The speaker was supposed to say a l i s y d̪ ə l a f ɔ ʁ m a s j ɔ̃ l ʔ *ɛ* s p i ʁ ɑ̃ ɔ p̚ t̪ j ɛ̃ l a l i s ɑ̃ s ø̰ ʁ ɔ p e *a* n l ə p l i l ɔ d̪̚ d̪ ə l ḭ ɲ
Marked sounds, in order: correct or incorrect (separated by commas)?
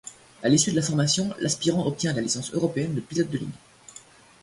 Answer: incorrect, incorrect